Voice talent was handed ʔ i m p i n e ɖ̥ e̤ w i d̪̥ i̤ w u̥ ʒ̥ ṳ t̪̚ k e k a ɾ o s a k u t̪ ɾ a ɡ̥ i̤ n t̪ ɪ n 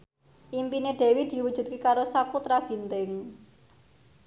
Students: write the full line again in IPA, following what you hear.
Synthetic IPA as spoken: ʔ i m p i n e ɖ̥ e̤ w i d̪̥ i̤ w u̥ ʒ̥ ṳ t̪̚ k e k a ɾ o s a k u t̪ ɾ a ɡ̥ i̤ n t̪ ɪ ŋ